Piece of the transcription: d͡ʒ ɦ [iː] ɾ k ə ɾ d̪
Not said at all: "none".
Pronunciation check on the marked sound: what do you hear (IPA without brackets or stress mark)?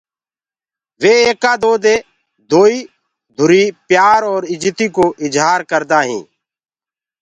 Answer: aː